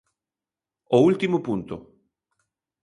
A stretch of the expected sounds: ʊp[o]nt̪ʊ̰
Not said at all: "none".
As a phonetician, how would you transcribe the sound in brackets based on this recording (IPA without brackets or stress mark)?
u